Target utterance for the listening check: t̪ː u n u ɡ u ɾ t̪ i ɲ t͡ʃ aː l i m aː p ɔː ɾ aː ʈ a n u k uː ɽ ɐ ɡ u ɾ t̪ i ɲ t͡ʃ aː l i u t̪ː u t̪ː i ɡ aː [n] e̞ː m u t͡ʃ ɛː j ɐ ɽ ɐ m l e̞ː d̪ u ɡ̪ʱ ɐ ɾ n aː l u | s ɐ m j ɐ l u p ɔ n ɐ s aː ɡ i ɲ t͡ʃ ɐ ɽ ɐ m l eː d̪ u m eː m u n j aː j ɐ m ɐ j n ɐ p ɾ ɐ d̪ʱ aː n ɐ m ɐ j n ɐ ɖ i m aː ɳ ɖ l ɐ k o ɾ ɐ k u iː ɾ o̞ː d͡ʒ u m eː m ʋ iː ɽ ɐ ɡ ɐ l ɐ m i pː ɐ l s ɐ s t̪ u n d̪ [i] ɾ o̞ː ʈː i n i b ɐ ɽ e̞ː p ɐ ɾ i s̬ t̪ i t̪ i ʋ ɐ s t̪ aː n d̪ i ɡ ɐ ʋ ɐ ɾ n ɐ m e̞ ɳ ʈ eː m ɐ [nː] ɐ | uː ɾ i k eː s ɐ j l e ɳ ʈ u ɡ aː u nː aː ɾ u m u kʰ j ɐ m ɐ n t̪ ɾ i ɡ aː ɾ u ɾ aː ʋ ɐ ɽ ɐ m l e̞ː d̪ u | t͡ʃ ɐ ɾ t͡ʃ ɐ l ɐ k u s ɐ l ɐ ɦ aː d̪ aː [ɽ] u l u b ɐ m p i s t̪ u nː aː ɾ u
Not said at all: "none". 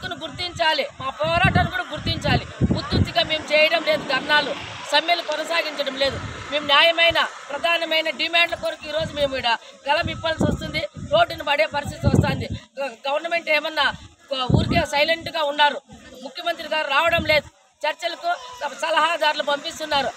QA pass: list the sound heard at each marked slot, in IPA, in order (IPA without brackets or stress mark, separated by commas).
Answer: m, i, nː, ɾ